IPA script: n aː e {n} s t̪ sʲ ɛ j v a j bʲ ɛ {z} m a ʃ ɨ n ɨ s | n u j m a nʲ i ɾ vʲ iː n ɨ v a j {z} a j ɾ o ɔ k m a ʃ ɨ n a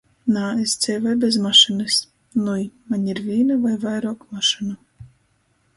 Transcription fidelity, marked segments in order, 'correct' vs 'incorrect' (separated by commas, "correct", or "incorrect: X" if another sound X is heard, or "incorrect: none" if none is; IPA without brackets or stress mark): incorrect: none, correct, incorrect: v